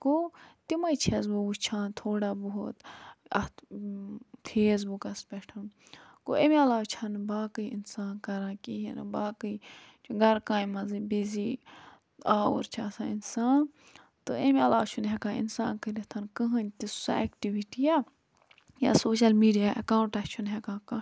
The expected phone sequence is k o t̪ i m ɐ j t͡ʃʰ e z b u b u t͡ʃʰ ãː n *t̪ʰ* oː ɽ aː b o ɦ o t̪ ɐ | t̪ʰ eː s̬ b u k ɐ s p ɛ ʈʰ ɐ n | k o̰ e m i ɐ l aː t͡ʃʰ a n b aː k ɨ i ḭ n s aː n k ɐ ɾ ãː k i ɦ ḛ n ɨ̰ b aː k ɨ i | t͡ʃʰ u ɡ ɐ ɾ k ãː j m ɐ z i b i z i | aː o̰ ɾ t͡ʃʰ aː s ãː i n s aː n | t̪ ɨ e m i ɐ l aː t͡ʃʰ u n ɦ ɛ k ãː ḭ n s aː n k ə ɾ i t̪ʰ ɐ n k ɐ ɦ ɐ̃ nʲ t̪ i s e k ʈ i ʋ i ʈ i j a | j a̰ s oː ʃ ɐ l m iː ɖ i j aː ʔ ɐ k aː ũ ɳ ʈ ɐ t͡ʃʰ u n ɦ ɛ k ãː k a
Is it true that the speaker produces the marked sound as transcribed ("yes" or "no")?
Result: yes